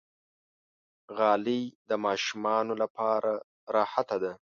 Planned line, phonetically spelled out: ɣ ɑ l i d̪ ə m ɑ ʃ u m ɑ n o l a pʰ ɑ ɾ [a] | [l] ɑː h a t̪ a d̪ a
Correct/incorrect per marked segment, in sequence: correct, incorrect: ɾ

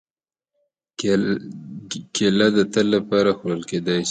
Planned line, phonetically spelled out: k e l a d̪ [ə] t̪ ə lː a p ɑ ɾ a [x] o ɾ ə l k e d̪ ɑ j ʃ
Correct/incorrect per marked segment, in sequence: correct, correct

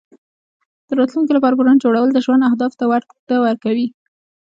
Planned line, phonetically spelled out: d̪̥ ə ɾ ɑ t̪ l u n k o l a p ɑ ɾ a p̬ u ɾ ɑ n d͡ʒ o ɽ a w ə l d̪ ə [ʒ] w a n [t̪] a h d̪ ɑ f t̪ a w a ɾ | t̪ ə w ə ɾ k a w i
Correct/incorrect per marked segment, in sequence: correct, incorrect: d̪

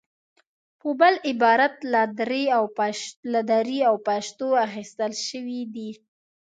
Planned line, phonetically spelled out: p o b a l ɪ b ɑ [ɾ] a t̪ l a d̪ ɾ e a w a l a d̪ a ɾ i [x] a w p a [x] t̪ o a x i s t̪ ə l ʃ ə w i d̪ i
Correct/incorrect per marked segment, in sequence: correct, incorrect: none, incorrect: ʃ

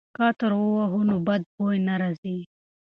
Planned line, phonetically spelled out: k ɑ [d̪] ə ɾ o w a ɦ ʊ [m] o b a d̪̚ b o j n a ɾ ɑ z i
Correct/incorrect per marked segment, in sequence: incorrect: t̪, incorrect: n

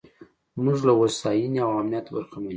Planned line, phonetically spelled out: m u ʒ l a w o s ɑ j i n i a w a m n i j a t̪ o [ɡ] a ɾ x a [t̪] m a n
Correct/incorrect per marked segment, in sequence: incorrect: b, incorrect: none

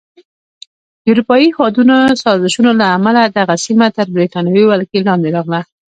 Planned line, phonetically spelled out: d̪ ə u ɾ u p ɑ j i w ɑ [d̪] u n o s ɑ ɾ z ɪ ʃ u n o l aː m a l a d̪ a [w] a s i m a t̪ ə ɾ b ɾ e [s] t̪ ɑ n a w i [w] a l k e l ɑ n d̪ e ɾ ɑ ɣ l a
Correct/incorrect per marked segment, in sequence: correct, incorrect: ɣ, incorrect: none, correct

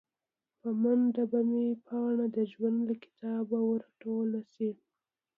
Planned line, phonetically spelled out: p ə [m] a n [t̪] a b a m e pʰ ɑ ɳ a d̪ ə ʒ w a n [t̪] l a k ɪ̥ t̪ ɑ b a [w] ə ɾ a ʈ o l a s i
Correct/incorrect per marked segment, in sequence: correct, incorrect: d̪, incorrect: d̪, correct

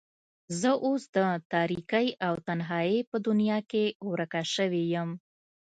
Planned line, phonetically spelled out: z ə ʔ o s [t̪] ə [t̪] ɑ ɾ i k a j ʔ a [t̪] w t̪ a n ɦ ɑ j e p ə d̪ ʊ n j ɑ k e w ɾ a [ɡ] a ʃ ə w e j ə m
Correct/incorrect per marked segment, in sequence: incorrect: d̪, correct, incorrect: none, incorrect: k

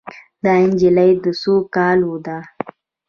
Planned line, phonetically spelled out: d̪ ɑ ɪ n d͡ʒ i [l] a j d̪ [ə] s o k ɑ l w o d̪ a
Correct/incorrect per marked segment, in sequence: correct, correct

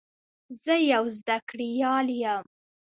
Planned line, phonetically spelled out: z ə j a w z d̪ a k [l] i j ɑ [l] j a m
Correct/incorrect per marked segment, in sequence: incorrect: ɽ, correct

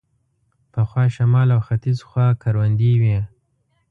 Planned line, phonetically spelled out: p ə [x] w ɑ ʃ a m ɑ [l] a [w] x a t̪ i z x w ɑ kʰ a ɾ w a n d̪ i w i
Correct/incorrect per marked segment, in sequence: correct, correct, correct

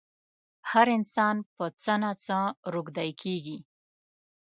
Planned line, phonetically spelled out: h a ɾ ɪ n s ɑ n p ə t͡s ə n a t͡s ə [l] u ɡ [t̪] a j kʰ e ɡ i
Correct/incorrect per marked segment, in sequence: incorrect: ɾ, incorrect: d̪

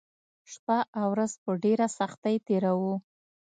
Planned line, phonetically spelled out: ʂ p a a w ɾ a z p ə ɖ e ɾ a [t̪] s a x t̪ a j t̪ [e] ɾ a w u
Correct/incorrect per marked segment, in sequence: incorrect: none, correct

